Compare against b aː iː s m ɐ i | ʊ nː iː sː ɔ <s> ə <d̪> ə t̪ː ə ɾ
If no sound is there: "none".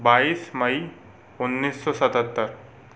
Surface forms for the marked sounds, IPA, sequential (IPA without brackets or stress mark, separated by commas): s, t̪